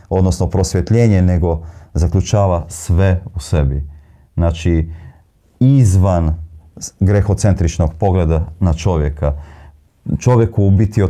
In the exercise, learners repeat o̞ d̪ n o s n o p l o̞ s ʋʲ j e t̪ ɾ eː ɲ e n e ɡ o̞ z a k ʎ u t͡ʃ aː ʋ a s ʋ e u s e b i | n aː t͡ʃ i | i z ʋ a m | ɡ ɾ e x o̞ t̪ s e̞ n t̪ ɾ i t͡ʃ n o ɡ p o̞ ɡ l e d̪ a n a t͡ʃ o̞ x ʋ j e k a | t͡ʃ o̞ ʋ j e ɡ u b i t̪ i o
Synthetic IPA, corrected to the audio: o̞ d̪ n o s n o p ɾ o̞ s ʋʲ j e t̪ ʎ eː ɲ e n e ɡ o̞ z a k ʎ u t͡ʃ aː ʋ a s ʋ e u s e b i | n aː t͡ʃ i | i z ʋ a n | ɡ ɾ e x o̞ t̪ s e̞ n t̪ ɾ i t͡ʃ n o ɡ p o̞ ɡ l e d̪ a n a t͡ʃ o̞ ʋ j e k a | t͡ʃ o̞ ʋ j e k u b i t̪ i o